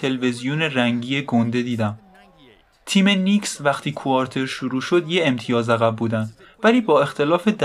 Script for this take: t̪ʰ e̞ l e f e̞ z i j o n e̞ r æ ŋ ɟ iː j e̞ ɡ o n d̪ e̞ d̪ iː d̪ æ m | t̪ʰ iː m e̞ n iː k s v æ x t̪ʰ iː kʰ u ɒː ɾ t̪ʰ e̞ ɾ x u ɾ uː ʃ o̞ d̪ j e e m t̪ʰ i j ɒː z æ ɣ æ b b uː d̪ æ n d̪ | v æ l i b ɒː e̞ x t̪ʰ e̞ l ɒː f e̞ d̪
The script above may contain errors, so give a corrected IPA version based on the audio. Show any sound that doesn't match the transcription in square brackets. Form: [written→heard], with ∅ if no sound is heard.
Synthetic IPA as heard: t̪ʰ e̞ l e [f→v] e̞ z i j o n e̞ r æ ŋ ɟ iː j e̞ ɡ o n d̪ e̞ d̪ iː d̪ æ m | t̪ʰ iː m e̞ n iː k s v æ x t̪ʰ iː kʰ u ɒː ɾ t̪ʰ e̞ ɾ [x→ʃ] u ɾ uː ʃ o̞ d̪ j e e m t̪ʰ i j ɒː z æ ɣ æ b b uː d̪ æ n d̪ | v æ l [i→iː] b ɒː e̞ x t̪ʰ e̞ l ɒː f e̞ d̪